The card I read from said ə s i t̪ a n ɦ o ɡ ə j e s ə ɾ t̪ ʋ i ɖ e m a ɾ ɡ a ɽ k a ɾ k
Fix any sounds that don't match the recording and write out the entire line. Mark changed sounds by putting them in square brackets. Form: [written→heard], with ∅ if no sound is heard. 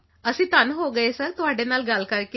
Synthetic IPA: ə s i t̪ a n ɦ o ɡ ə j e s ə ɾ t̪ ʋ [i→a] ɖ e [m→n] a [ɾ→l] ɡ a [ɽ→l] k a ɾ k